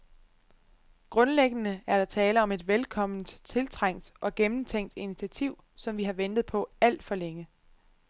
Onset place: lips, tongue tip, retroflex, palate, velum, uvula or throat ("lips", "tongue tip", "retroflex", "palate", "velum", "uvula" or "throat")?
velum